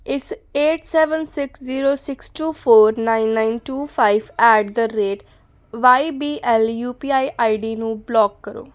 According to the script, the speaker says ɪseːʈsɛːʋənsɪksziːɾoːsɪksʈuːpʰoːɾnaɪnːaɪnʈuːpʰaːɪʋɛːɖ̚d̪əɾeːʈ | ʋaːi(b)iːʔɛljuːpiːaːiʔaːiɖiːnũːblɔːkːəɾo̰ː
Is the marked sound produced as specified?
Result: yes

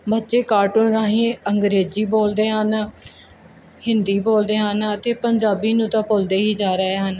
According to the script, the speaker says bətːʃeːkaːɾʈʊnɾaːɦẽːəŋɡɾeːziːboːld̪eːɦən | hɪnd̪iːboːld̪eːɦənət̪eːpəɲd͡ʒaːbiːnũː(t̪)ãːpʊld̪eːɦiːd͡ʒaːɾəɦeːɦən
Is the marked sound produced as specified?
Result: yes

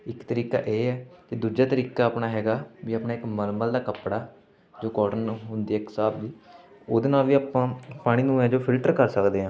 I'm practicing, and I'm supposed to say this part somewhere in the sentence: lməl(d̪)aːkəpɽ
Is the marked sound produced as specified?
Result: yes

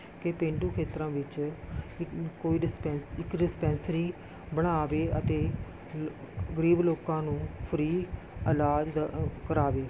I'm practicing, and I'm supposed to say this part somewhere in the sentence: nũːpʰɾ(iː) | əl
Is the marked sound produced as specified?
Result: yes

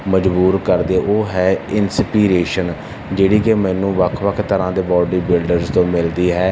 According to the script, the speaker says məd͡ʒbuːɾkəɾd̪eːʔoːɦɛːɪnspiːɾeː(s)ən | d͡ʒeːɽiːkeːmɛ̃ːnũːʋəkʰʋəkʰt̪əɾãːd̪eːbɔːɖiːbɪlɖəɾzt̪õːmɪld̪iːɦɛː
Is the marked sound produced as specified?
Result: no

